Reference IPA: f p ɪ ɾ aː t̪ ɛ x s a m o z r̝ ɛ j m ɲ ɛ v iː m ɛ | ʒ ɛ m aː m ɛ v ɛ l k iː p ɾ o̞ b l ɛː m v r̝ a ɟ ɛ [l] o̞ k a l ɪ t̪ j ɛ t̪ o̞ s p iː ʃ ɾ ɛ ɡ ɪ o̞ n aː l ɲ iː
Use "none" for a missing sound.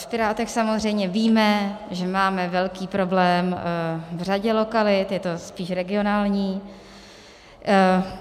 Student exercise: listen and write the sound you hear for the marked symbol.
l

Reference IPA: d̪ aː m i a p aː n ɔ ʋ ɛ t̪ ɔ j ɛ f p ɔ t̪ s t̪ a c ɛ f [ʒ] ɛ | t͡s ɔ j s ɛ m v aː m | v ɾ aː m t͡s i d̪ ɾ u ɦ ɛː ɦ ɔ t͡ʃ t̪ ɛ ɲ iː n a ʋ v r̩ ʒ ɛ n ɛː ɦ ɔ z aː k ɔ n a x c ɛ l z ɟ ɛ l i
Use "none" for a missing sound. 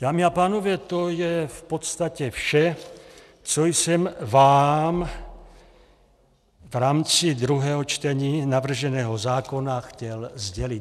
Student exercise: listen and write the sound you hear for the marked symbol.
ʃ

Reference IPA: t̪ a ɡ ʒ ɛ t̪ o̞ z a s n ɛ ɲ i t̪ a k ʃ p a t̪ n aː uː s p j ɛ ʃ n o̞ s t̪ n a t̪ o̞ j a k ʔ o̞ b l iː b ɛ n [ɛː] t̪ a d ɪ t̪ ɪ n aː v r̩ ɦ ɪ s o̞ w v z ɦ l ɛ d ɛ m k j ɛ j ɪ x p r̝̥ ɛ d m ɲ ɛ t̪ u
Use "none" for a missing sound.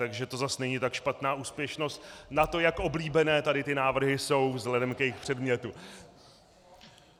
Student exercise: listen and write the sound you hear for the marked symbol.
ɛː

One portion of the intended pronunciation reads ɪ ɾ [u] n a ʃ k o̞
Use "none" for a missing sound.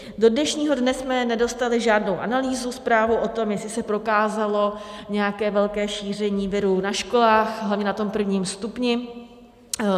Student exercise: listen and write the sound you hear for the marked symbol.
u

